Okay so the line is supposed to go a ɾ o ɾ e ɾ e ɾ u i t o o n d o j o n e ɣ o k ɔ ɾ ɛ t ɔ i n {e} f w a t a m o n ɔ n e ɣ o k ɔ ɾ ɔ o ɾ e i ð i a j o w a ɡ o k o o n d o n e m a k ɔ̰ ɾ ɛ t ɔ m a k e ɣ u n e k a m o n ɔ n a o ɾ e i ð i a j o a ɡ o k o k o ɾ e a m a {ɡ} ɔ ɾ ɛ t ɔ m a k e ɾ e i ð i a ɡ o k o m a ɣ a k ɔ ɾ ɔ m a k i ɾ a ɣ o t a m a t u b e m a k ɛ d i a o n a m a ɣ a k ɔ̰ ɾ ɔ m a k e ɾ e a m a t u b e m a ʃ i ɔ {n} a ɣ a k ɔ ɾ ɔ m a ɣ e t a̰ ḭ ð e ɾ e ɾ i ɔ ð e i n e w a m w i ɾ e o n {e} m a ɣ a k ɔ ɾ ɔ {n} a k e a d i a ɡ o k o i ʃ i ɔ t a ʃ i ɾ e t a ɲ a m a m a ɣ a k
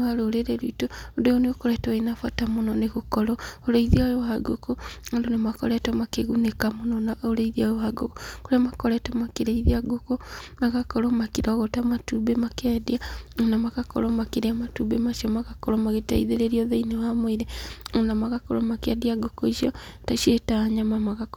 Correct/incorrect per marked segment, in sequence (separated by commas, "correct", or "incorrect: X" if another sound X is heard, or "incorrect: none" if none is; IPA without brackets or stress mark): incorrect: a, incorrect: k, incorrect: m, incorrect: a, incorrect: m